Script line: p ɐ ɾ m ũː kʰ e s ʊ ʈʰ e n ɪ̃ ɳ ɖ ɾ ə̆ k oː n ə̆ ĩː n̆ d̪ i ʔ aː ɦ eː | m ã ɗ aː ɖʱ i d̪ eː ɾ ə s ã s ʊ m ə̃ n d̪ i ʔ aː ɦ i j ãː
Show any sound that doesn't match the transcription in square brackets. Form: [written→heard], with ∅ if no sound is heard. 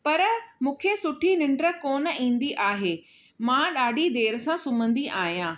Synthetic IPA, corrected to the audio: p ɐ ɾ m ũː kʰ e s ʊ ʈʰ [e→i] n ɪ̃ ɳ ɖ ɾ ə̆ k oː n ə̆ ĩː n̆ d̪ i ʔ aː ɦ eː | m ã ɗ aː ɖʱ i d̪ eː ɾ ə s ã s ʊ m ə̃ n d̪ i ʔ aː ɦ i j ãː